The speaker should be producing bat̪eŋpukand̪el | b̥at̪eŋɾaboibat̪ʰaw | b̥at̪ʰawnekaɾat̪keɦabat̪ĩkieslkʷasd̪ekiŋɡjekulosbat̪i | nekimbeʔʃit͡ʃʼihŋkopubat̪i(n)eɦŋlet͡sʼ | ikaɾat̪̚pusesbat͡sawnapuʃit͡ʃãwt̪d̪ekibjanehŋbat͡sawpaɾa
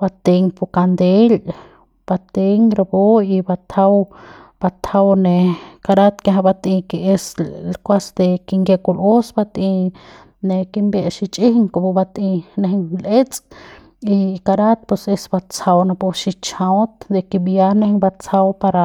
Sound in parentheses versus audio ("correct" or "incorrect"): correct